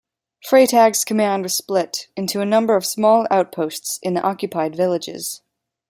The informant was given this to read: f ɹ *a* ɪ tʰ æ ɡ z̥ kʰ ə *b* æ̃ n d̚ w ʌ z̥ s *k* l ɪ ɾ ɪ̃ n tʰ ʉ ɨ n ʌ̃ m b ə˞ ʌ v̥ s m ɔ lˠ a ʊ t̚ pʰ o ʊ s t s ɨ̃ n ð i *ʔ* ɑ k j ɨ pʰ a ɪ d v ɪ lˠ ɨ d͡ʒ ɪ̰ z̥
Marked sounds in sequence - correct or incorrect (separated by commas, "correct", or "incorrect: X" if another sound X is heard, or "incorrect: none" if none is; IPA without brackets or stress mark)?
incorrect: e, incorrect: m, incorrect: p, correct